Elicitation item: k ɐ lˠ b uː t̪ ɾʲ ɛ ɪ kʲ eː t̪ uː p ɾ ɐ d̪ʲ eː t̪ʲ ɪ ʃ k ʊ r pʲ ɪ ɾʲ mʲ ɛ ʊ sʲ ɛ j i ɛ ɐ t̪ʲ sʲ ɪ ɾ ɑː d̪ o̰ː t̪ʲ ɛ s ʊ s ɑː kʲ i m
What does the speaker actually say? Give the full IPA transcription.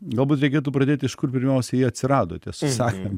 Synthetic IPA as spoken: ɡ ɐ lˠ b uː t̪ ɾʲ ɛ ɪ kʲ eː t̪ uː p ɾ ɐ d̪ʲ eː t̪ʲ ɪ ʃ k ʊ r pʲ ɪ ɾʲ mʲ ɛ ʊ sʲ ɛ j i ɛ ɐ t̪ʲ sʲ ɪ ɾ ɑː d̪ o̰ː t̪ʲ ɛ s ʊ s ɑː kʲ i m